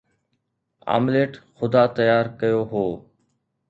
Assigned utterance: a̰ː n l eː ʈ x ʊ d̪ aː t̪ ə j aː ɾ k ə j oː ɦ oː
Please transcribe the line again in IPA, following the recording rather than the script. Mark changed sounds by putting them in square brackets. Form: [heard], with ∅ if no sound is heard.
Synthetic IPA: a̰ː [m] l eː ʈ x ʊ d̪ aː t̪ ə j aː ɾ k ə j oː ɦ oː